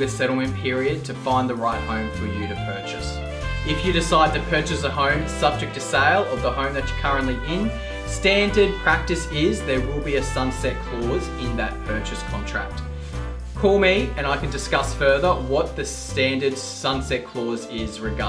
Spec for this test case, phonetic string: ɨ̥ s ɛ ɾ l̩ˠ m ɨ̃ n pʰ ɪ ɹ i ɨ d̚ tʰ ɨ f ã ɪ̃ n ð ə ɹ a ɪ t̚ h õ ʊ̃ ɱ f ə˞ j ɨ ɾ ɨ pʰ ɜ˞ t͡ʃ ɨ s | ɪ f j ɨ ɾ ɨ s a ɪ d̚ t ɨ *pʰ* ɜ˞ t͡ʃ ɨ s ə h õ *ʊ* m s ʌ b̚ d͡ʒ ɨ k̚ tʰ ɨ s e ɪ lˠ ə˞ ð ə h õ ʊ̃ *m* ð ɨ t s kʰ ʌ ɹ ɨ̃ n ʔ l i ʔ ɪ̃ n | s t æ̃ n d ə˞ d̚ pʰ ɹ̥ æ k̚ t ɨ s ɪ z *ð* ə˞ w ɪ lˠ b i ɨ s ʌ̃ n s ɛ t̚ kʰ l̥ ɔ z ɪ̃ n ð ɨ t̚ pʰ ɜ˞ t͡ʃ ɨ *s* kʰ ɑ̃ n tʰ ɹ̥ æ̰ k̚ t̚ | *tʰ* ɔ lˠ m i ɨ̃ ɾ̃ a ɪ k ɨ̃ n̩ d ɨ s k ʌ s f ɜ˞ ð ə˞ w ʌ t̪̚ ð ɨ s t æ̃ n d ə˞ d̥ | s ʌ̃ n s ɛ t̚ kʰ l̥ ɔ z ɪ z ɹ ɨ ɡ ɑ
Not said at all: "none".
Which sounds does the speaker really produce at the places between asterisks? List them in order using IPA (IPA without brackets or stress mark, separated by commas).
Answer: pʰ, ʊ̃, m, ð, s, kʰ